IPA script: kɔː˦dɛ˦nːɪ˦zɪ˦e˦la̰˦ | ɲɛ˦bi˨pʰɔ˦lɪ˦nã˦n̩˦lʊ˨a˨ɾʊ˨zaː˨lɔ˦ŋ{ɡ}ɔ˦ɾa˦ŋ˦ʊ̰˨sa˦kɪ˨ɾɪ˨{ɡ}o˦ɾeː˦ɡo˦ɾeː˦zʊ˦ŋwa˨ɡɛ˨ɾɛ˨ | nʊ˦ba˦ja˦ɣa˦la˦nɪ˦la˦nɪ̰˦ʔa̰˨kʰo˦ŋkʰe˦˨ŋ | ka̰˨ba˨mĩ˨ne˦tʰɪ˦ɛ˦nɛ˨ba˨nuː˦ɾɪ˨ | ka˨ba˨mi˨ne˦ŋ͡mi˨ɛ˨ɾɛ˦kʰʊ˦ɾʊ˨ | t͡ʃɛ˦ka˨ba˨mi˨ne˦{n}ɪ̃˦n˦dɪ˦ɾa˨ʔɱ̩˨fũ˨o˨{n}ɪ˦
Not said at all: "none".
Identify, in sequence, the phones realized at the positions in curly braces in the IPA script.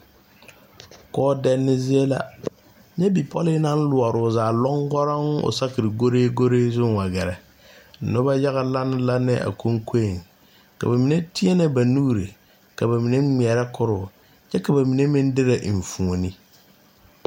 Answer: ɡ, ɡ, m, n

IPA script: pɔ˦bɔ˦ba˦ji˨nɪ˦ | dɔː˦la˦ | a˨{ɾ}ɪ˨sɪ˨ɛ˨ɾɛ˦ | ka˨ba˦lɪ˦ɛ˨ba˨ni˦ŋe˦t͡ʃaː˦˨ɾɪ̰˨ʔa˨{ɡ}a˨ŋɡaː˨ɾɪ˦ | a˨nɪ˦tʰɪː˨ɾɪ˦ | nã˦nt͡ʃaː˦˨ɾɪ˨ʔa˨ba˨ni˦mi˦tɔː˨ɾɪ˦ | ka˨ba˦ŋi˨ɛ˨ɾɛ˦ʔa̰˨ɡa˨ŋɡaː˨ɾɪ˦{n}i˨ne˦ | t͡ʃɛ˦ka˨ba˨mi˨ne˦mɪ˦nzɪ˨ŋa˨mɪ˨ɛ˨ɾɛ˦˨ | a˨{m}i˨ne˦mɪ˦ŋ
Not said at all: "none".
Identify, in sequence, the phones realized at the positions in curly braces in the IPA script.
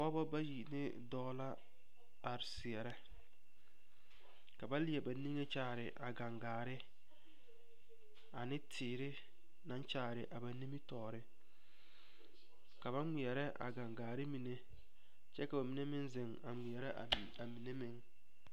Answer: ɾ, ɡ, m, m

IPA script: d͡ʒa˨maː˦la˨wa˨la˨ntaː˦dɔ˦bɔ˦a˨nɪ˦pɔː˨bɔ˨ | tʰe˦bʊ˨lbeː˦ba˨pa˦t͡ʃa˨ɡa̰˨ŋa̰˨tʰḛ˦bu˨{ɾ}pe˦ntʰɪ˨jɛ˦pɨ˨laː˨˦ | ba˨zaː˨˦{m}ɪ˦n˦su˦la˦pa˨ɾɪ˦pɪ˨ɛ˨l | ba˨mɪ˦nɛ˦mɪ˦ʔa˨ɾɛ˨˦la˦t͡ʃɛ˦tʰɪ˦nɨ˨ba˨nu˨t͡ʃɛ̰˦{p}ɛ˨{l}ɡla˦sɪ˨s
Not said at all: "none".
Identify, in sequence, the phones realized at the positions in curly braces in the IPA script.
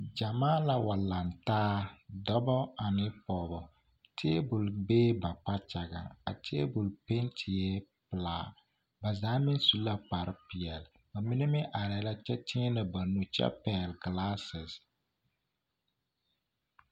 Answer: l, m, p, l

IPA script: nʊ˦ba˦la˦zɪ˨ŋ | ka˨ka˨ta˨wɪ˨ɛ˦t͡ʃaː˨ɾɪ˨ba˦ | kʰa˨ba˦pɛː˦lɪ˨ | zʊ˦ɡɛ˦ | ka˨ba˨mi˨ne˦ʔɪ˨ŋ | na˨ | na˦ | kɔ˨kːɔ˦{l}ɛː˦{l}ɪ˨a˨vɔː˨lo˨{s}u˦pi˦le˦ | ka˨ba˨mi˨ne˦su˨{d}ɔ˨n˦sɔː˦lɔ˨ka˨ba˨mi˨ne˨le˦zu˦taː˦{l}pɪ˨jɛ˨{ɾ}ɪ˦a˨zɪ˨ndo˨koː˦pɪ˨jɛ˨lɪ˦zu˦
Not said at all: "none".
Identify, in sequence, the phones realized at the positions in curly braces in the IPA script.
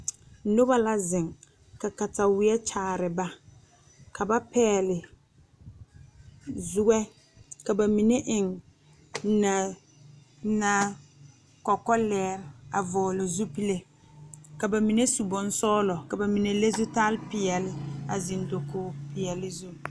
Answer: l, ɾ, z, b, l, l

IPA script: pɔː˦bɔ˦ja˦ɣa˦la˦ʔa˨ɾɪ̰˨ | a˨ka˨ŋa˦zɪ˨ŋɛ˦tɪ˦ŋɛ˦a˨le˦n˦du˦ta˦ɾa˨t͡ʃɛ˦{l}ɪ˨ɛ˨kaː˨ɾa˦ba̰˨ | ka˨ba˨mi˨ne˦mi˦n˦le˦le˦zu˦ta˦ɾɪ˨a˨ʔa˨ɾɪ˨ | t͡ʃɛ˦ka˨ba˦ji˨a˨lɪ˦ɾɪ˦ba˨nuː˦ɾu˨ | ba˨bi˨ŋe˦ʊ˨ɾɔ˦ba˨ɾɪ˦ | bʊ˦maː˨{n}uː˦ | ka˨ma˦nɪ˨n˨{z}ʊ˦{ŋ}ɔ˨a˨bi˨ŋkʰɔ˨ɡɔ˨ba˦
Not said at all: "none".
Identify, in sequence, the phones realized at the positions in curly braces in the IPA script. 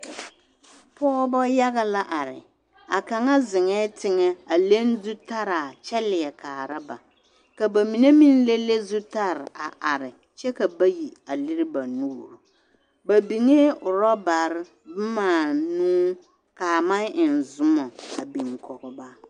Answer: l, n, z, m

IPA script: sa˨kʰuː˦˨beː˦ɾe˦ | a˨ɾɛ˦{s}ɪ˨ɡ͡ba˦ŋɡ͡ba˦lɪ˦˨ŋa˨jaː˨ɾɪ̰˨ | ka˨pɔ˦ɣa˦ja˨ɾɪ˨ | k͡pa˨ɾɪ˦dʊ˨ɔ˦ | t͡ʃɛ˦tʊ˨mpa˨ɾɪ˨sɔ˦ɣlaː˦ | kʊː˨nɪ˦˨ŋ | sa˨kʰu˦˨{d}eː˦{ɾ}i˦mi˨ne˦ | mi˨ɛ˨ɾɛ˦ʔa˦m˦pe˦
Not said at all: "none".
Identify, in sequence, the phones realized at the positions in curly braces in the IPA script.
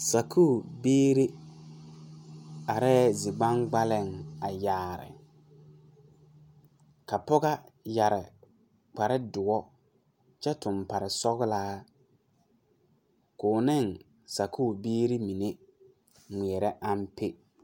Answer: z, b, ɾ

